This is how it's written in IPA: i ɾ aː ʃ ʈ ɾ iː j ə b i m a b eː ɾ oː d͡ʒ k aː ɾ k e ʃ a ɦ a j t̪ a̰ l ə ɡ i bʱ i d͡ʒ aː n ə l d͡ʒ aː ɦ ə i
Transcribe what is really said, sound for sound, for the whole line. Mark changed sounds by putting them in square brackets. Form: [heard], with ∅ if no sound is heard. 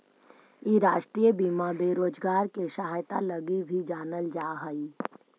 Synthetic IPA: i ɾ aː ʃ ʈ ɾ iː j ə b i m a b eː ɾ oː d͡ʒ [ɡ] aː ɾ k e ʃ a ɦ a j t̪ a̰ l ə ɡ i bʱ i d͡ʒ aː n ə l d͡ʒ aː ɦ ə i